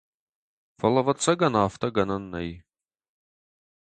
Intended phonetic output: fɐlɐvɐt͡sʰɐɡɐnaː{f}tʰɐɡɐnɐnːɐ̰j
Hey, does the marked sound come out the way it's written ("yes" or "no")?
yes